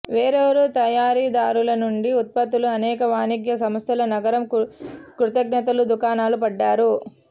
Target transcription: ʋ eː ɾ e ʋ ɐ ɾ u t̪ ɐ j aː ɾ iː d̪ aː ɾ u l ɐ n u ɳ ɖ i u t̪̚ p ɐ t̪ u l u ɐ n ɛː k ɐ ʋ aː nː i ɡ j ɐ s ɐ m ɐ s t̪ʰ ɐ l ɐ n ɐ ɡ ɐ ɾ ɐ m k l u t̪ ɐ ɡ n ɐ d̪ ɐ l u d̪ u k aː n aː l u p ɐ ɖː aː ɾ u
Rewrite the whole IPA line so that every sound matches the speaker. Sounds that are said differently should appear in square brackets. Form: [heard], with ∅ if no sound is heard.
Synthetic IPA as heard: ʋ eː ɾ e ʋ ɐ ɾ u t̪ ɐ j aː ɾ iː d̪ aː ɾ u l ɐ n u ɳ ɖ i u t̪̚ p ɐ t̪ u l u ɐ n ɛː k ɐ ʋ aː [n] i ɡ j ɐ s ɐ m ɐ s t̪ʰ ɐ l ɐ n ɐ ɡ ɐ ɾ ɐ m k [ɾ] u t̪ ɐ ɡ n ɐ [t̪] ɐ l u d̪ u k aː n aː l u p ɐ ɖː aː ɾ u